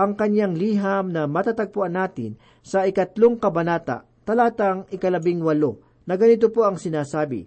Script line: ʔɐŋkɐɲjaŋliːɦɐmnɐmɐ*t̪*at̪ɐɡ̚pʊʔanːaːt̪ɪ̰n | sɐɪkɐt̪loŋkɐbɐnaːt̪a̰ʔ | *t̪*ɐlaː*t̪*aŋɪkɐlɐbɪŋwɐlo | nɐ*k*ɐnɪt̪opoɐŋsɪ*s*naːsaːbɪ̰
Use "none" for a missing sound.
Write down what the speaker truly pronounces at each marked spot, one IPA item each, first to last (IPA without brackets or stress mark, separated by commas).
t̪, t̪, t̪, ɡ, none